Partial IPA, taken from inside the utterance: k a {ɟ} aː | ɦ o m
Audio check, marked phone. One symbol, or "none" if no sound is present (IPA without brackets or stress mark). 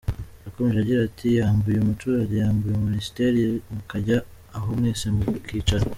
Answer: ɟ